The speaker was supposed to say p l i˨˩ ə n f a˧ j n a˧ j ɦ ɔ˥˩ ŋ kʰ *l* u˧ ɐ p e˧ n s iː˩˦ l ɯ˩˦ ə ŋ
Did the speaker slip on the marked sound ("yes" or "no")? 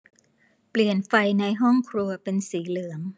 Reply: yes